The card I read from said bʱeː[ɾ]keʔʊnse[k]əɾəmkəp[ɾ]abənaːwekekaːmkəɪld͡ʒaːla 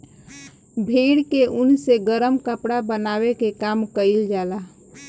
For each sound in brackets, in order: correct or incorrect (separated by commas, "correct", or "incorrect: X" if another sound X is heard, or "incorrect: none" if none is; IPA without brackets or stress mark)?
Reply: incorrect: ɽ, incorrect: ɡ, incorrect: ɽ